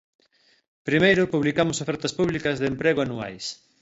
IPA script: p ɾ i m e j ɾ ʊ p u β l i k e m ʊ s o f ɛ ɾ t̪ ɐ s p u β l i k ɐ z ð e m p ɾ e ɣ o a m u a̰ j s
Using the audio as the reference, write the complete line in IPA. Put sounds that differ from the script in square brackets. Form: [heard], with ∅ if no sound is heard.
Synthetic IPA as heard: p ɾ i m e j ɾ ʊ p u β l i k [a] m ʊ s o f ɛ ɾ t̪ ɐ s p u β l i k ɐ z ð e m p ɾ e ɣ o a [n] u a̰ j s